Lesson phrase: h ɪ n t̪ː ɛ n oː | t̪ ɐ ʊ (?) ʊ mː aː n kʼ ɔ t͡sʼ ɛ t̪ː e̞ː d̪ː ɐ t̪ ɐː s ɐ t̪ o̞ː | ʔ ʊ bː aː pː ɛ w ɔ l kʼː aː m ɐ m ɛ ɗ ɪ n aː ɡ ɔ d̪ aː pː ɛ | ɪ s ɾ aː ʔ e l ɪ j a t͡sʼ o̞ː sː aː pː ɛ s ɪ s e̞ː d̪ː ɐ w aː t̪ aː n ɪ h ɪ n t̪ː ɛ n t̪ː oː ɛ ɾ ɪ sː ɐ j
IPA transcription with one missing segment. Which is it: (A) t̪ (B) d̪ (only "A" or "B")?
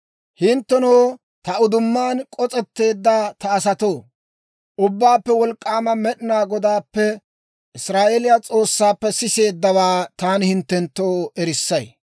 B